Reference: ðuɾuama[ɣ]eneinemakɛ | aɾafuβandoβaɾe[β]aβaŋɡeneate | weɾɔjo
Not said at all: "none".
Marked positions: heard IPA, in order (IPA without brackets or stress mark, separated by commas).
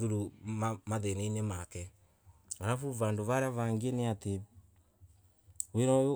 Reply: ð, none